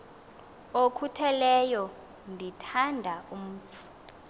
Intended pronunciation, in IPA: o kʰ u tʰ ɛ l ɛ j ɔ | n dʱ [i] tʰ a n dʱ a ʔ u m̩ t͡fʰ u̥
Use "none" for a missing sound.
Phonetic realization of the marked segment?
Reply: i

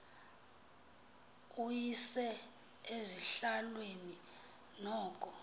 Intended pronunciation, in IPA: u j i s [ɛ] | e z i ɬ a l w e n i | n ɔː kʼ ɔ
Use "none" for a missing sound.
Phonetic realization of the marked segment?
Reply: ɛ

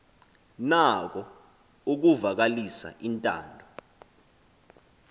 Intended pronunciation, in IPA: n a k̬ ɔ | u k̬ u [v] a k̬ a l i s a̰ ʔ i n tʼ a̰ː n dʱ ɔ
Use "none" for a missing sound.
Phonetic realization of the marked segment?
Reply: v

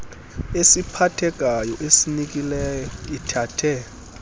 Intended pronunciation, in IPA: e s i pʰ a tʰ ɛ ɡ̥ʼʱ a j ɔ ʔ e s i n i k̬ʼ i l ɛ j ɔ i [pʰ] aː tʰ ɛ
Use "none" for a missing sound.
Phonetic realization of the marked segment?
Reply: tʰ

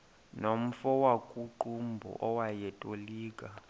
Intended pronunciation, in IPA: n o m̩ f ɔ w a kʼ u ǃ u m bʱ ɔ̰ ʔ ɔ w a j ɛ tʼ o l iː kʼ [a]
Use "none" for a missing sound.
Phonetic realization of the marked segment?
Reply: a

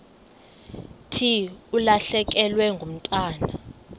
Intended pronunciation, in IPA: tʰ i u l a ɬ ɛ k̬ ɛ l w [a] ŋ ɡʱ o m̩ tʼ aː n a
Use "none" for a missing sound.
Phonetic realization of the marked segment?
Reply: ɛ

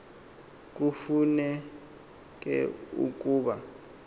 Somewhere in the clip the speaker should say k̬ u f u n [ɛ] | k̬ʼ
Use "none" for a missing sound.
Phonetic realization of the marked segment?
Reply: ɛ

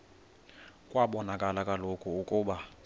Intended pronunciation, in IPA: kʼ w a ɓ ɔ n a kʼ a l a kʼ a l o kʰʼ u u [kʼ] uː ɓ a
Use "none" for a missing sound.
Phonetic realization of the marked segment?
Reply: kʼ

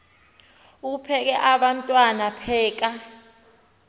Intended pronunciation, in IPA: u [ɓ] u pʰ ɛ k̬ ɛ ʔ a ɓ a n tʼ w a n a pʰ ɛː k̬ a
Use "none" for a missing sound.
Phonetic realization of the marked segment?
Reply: none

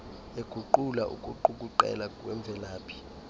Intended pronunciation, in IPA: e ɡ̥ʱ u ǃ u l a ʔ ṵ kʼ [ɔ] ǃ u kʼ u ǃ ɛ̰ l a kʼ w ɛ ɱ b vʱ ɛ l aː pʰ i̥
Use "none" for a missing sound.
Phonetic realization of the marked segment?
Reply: u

